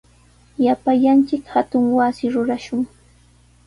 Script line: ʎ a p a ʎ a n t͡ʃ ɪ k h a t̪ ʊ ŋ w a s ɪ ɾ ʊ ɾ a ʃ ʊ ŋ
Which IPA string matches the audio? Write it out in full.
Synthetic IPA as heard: j a p a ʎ a n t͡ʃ ɪ k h a t̪ ʊ ŋ w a s ɪ ɾ ʊ ɾ a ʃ ʊ ŋ

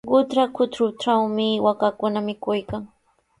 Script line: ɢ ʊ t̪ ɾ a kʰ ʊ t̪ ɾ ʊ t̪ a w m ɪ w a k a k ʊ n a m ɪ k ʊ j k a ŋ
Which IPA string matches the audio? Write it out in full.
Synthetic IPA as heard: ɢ ʊ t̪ ɾ a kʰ ʊ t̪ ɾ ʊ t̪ a w m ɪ w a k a k ʊ n a m ɪ k ʊ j k a ŋ

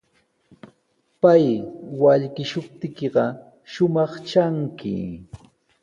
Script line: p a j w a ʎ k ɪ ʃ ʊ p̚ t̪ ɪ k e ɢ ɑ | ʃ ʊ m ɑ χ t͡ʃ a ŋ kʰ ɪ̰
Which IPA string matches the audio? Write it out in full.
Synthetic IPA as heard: p a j w a ʎ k ɪ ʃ ʊ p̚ t̪ ɪ k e ɢ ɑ | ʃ ʊ m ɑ χ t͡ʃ a ŋ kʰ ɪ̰

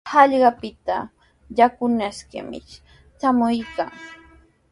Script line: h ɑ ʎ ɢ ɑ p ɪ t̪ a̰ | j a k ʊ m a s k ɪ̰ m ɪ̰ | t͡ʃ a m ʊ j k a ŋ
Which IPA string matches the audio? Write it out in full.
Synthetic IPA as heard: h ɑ ʎ ɢ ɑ p ɪ t̪ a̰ | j a k ʊ n a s k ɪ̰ m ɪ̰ | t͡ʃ a m ʊ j k a ŋ

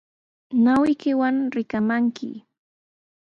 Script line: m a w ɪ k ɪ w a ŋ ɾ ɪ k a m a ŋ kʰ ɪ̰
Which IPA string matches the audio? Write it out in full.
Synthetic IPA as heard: n a w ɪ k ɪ w a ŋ ɾ ɪ k a m a ŋ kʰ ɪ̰

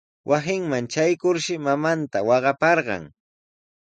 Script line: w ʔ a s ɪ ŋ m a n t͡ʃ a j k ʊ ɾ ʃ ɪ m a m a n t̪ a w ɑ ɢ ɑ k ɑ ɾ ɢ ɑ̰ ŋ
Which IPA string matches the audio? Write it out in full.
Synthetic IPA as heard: w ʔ a s ɪ ŋ m a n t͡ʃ a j k ʊ ɾ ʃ ɪ m a m a n t̪ a w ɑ ɢ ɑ p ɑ ɾ ɢ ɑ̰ ŋ

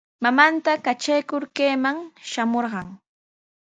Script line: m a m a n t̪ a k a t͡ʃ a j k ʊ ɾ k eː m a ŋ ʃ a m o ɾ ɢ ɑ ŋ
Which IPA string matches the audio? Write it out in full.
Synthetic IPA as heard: m a m a n t̪ a k a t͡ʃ a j k ʊ ɾ k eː m a ŋ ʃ a m o ɾ ɢ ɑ ŋ

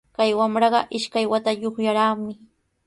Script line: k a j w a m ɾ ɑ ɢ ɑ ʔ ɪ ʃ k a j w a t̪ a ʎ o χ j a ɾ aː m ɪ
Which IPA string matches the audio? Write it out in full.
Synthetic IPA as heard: k a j w a m ɾ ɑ ɢ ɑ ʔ ɪ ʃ k a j w a t̪ a ʎ o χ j a ɾ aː m ɪ

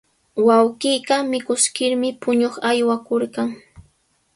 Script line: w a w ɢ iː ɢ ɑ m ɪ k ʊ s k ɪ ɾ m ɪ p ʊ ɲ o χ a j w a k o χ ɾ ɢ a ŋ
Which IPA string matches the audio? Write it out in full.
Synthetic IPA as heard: w a w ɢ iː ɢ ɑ m ɪ k ʊ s k ɪ ɾ m ɪ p ʊ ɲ o χ a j w a k o ɾ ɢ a ŋ

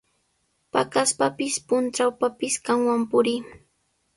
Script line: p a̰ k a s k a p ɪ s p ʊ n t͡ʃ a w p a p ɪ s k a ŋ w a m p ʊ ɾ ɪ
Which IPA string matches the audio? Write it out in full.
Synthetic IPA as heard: p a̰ k a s p a p ɪ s p ʊ n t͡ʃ a w p a p ɪ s k a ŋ w a m p ʊ ɾ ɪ

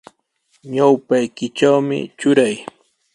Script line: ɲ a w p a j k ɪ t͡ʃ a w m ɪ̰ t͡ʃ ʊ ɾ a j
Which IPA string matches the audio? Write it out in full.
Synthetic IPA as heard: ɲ a w p a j k ɪ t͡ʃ a w m ɪ̰ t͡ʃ ʊ ɾ a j

